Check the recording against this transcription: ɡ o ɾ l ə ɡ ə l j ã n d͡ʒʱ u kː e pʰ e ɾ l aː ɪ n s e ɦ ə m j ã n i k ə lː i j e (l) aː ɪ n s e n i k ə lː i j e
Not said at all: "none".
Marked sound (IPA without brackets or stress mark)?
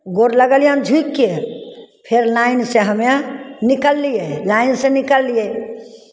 l